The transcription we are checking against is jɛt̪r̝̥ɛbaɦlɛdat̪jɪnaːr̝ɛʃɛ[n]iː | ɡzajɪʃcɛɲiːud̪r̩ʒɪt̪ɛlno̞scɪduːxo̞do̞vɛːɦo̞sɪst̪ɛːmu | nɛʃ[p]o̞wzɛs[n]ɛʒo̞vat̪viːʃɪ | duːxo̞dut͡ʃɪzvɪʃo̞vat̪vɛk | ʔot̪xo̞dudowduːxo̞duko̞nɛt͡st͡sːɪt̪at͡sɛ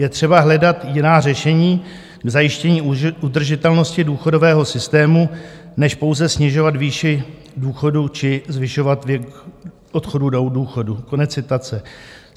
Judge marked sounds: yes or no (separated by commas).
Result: no, yes, no